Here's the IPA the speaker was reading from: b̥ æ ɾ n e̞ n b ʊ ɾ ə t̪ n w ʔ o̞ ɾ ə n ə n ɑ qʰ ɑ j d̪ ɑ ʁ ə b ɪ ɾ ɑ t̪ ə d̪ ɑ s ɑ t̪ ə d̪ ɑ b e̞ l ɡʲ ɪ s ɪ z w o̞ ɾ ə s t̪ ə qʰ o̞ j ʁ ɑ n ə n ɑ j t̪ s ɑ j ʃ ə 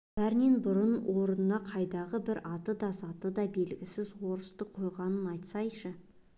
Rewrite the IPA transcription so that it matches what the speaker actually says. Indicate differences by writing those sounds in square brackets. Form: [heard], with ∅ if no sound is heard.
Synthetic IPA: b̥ æ ɾ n e̞ n b ʊ ɾ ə [∅] n w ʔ o̞ ɾ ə n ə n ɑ qʰ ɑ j d̪ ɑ ʁ ə b ɪ ɾ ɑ t̪ ə d̪ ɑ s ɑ t̪ ə d̪ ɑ b e̞ l ɡʲ ɪ s ɪ z w o̞ ɾ ə s t̪ ə qʰ o̞ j ʁ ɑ n ə n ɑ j t̪ s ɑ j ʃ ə